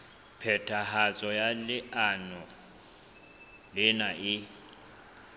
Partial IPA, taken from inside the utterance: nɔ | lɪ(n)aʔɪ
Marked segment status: correct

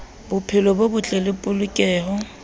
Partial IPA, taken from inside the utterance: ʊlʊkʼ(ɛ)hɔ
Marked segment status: incorrect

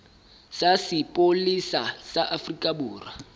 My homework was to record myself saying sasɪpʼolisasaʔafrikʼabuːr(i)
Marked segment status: incorrect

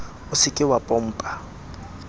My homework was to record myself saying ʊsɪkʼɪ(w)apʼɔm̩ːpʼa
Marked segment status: correct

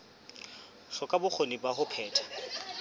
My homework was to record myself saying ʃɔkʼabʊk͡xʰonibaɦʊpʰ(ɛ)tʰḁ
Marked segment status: incorrect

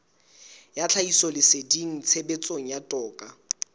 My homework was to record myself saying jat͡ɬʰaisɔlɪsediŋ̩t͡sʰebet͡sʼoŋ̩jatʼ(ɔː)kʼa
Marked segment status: correct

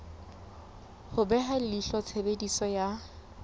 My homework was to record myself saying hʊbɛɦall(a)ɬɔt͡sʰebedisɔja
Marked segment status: incorrect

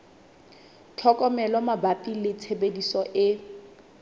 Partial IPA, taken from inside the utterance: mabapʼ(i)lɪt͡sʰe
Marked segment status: correct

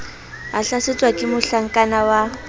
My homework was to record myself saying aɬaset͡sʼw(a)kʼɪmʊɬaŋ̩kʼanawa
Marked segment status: correct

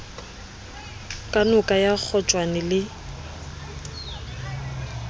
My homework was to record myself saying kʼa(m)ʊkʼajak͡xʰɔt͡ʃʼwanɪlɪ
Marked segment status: incorrect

